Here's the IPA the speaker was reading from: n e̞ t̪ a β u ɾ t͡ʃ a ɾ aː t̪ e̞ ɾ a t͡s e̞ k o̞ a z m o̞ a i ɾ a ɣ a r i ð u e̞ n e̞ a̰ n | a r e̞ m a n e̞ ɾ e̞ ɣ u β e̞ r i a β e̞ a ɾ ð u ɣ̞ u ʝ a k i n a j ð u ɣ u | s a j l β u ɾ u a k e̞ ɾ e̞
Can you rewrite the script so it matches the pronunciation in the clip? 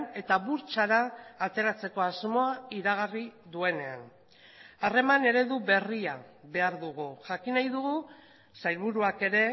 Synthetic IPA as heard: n e̞ t̪ a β u ɾ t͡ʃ a ɾ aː t̪ e̞ ɾ a t͡s e̞ k o̞ a z m o̞ a i ɾ a ɣ a r i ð u e̞ n e̞ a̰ n | a r e̞ m a n e̞ ɾ e̞ ð u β e̞ r i a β e̞ a ɾ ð u ɣ̞ u ʝ a k i n a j ð u ɣ u | s a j l β u ɾ u a k e̞ ɾ e̞